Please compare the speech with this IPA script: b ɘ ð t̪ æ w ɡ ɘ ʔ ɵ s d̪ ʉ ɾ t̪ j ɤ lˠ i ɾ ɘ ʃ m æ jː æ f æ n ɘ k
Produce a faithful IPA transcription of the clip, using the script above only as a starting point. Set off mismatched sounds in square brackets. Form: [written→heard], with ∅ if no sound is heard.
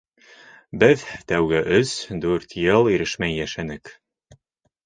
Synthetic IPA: b ɘ ð t̪ æ w ɡ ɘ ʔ ɵ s d̪ ʉ ɾ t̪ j ɤ lˠ i ɾ ɘ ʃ m æ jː æ [f→ʃ] æ n ɘ k